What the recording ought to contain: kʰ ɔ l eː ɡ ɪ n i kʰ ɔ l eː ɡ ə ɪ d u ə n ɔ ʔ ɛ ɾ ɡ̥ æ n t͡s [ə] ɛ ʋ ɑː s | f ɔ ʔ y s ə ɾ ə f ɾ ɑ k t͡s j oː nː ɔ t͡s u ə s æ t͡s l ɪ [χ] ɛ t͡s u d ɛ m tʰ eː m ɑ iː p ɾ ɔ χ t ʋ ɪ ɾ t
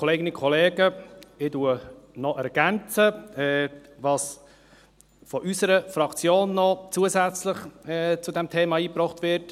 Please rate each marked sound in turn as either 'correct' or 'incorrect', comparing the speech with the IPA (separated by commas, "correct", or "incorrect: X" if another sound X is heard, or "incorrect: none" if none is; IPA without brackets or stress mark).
correct, correct